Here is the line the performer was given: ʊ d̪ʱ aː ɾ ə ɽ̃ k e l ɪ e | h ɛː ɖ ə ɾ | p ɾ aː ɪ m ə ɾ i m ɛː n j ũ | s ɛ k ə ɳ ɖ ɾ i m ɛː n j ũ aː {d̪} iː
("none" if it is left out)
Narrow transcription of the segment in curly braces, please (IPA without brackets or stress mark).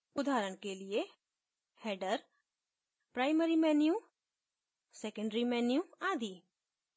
d̪